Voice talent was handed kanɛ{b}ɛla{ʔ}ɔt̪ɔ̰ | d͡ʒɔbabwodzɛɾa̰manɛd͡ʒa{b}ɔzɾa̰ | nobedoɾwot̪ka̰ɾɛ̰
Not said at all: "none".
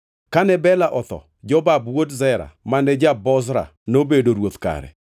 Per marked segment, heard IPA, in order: b, ʔ, b

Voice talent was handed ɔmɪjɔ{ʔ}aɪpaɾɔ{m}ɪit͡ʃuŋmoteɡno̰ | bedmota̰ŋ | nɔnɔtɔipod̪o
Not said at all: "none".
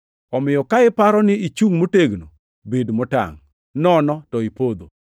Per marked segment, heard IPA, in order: k, n

